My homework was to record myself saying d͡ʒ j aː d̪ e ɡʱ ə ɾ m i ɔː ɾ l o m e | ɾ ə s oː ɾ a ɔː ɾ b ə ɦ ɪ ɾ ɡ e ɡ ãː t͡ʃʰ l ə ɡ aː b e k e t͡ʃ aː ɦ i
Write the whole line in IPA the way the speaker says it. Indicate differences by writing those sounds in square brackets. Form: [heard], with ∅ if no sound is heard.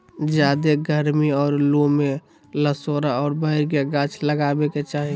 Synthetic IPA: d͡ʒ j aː d̪ e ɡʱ ə ɾ m i ɔː ɾ l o m e | [l] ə s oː ɾ a ɔː ɾ b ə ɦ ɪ ɾ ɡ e ɡ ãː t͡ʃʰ l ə ɡ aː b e k e t͡ʃ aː ɦ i

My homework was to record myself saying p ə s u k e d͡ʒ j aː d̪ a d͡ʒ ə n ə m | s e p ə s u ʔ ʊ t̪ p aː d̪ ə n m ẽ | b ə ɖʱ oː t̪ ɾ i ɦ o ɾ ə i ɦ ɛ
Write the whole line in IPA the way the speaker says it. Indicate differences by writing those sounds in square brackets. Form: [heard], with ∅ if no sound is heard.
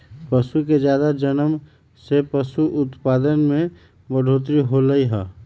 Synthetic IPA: p ə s u k e d͡ʒ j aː d̪ a d͡ʒ ə n ə m | s e p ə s u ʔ ʊ t̪ p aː d̪ ə n m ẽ | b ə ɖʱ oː t̪ ɾ i ɦ o [l] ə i ɦ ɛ

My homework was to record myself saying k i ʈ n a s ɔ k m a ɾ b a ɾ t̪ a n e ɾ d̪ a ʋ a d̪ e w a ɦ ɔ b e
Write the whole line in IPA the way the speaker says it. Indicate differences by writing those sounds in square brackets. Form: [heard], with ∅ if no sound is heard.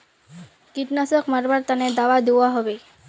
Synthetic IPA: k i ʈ n a s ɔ k m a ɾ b a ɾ t̪ a n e [∅] d̪ a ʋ a d̪ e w a ɦ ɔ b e

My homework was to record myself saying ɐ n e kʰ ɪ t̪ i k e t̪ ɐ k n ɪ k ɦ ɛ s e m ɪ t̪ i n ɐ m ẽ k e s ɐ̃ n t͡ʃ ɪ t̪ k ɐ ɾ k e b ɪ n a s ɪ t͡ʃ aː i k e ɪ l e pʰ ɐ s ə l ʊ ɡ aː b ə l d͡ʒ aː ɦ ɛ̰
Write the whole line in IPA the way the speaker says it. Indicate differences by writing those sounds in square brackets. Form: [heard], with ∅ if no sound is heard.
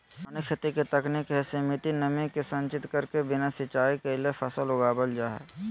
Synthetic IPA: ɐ n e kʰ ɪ t̪ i k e t̪ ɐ k n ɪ k ɦ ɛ s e m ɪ t̪ i n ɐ m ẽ k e s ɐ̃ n t͡ʃ ɪ t̪ k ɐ ɾ k e b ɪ n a s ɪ t͡ʃ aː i k e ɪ l e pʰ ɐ s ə l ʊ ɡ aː b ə l d͡ʒ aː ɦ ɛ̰

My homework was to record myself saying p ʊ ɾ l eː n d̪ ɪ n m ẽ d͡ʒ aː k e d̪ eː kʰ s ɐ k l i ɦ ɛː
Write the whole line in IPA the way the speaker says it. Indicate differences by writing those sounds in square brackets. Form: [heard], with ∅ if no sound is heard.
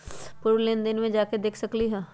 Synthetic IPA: p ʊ ɾ l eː n d̪ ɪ n m ẽ d͡ʒ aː k e d̪ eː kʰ s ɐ k l i ɦ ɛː

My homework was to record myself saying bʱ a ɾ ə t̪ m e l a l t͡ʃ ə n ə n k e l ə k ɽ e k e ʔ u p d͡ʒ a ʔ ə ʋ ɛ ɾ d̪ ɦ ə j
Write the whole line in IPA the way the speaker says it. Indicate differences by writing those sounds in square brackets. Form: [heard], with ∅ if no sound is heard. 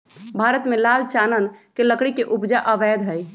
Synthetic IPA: bʱ a ɾ ə t̪ m e l a l t͡ʃ [a] n ə n k e l ə k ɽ [i] k e ʔ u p d͡ʒ a ʔ ə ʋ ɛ [∅] d̪ ɦ ə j

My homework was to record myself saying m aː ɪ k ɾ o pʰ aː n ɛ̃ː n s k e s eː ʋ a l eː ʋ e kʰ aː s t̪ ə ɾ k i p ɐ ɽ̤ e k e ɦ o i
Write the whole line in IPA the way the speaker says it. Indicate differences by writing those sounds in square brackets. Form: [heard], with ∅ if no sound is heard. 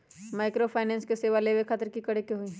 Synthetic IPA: m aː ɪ k ɾ o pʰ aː n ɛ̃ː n s k e s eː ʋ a l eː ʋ e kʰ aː [∅] t̪ ə ɾ k i [k] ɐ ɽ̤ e k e ɦ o i

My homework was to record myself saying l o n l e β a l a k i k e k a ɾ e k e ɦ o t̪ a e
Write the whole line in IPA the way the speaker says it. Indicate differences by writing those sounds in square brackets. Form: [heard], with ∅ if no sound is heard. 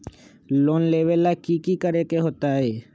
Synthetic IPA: l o n l e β [e] l a k i k [i] k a ɾ e k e ɦ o t̪ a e

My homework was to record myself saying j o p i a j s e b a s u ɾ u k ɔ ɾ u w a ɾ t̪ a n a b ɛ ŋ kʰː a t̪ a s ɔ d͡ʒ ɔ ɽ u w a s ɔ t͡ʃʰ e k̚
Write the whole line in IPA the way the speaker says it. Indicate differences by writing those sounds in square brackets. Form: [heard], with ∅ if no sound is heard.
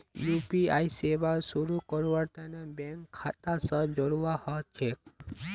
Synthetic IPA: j [u] p i a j s e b a s u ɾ u k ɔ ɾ u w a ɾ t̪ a n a b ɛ ŋ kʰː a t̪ a s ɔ d͡ʒ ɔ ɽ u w a [h] ɔ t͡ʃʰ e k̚

